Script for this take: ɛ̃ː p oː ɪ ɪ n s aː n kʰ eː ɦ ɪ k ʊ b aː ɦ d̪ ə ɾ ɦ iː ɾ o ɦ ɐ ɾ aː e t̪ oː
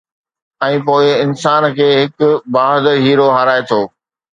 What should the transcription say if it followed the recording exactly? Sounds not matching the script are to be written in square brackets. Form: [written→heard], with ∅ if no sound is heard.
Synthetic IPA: ɛ̃ː p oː ɪ ɪ n s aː n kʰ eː ɦ ɪ k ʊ b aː ɦ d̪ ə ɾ ɦ iː ɾ o ɦ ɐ ɾ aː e [t̪→t̪ʰ] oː